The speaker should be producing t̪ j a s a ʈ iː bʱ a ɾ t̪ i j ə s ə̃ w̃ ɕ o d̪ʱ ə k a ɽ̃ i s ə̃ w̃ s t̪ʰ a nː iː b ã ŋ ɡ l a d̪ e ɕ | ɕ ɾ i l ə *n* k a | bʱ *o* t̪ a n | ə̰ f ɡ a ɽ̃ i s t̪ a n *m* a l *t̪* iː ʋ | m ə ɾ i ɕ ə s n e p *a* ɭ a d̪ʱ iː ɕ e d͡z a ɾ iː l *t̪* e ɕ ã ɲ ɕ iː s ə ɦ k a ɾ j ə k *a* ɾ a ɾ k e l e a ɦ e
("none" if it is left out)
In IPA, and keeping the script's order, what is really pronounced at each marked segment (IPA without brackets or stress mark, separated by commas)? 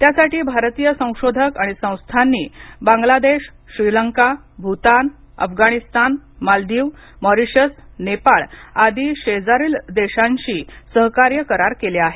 ŋ, u, m, d̪, a, d̪, ə